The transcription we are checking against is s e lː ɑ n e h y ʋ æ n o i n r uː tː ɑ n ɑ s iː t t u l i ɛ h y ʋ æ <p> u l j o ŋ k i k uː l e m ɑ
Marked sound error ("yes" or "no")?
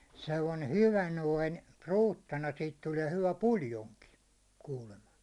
no